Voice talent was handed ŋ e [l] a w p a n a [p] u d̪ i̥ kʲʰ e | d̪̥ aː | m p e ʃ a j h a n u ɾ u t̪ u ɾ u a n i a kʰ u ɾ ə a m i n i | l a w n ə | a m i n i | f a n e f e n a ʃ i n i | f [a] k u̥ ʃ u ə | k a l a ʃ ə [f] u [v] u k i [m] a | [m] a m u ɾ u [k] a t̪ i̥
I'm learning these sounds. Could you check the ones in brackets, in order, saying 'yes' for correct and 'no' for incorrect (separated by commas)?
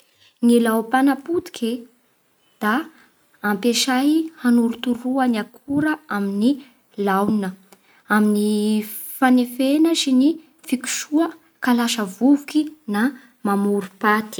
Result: yes, yes, no, no, yes, no, yes, no